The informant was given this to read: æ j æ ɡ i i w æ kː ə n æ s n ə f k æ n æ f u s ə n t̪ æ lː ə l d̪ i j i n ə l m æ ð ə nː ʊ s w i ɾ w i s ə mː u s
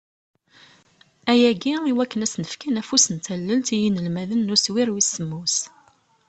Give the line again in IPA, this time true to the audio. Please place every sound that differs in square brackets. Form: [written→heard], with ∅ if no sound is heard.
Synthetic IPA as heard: æ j æ ɡ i i w æ kː ə n æ s n ə f k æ n æ f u s ə n t̪ æ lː ə l [d̪→t̪] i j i n ə l m æ ð ə nː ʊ s w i ɾ w i s ə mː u s